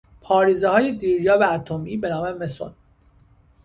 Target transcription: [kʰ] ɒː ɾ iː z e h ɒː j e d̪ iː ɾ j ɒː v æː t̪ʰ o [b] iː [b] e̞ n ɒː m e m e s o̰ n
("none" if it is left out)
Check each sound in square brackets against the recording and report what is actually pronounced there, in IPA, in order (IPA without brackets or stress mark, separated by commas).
pʰ, m, b